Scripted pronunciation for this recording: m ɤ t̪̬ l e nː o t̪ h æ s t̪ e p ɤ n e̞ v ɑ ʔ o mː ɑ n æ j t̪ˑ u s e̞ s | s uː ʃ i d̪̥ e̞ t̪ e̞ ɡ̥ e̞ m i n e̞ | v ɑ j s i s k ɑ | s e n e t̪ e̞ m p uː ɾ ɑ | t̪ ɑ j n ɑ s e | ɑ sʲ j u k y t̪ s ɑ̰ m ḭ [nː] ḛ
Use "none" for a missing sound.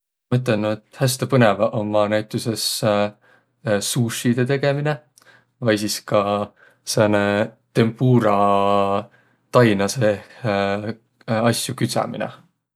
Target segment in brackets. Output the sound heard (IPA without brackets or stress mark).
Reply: n